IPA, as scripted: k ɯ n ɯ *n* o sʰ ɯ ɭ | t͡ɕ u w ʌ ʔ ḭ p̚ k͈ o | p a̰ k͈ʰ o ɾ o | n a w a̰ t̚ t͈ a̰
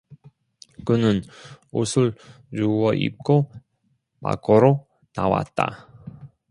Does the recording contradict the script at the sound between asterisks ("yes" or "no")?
no